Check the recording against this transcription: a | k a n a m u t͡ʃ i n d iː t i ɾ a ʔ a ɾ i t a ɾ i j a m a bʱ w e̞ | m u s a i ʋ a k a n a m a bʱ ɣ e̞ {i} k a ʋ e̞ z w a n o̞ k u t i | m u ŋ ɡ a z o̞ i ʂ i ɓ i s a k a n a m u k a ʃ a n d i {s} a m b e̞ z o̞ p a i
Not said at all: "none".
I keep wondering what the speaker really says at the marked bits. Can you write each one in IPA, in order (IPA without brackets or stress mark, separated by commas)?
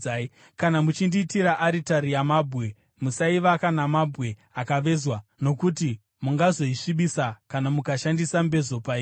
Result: a, s